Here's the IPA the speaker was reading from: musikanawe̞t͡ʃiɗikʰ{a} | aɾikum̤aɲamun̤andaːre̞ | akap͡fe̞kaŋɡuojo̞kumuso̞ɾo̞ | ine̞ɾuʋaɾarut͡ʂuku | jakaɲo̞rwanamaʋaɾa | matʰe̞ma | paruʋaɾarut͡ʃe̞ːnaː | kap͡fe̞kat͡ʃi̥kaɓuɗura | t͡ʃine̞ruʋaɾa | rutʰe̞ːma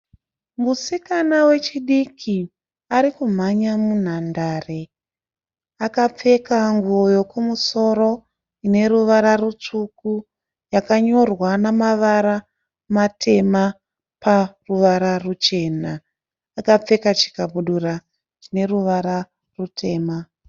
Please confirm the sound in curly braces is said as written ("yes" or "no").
no